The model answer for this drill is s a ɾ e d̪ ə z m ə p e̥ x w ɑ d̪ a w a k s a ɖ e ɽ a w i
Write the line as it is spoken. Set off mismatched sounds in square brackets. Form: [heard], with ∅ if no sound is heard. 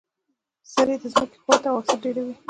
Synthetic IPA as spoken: s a ɾ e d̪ ə z m ə [k] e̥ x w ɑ [t̪] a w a k s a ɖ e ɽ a w i